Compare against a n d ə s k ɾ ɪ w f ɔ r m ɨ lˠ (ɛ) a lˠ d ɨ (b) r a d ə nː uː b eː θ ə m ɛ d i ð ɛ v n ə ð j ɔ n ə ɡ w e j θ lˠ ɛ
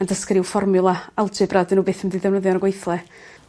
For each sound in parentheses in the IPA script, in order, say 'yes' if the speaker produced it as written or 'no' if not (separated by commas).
no, yes